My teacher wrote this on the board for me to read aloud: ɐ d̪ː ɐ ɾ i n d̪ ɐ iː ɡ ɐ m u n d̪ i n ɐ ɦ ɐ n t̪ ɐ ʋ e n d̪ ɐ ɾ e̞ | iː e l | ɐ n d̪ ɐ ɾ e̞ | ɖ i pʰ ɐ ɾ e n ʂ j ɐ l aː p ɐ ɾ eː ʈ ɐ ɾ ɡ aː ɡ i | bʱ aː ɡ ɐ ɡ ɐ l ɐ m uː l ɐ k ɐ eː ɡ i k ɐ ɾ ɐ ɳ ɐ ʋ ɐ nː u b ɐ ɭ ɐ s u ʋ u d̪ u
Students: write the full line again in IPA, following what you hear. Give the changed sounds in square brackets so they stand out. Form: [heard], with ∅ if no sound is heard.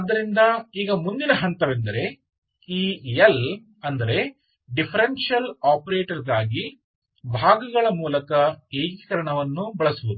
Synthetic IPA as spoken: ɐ d̪ː ɐ ɾ i n d̪ ɐ iː ɡ ɐ m u n d̪ i n ɐ ɦ ɐ n t̪ ɐ ʋ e n d̪ ɐ ɾ e̞ | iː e l | ɐ n d̪ ɐ ɾ e̞ | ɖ i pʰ ɐ ɾ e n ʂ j ɐ l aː p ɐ ɾ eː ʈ ɐ ɾ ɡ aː ɡ i | bʱ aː ɡ ɐ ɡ ɐ [ɭ] ɐ m uː l ɐ k ɐ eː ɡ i k ɐ ɾ ɐ ɳ ɐ ʋ ɐ nː u b ɐ ɭ ɐ s u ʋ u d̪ u